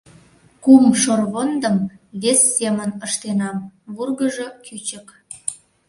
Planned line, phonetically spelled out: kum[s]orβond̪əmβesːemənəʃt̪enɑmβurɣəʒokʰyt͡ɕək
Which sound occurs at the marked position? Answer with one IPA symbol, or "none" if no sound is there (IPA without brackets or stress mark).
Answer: ʃ